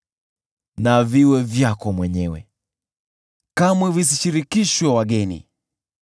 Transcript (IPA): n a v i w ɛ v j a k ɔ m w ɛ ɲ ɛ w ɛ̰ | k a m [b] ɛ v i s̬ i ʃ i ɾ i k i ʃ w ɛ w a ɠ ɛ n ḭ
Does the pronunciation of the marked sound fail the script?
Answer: yes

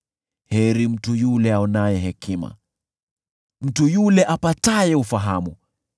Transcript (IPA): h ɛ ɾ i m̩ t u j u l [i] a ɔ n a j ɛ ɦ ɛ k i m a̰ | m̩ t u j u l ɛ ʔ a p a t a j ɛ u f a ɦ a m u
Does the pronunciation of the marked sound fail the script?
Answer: yes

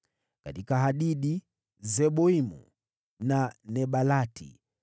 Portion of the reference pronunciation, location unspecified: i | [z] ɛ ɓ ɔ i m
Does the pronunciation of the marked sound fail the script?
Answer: no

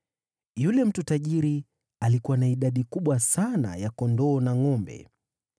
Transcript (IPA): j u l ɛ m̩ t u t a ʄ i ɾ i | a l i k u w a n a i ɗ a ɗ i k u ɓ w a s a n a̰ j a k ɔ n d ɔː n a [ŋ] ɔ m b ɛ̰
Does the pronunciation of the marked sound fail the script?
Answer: no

